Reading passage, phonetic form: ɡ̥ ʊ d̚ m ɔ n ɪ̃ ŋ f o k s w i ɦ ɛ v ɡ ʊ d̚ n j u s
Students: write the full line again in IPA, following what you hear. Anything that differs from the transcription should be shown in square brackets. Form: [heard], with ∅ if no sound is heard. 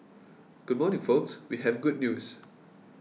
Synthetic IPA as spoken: ɡ̥ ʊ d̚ m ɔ n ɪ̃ ŋ f o k s w i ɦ ɛ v ɡ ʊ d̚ n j u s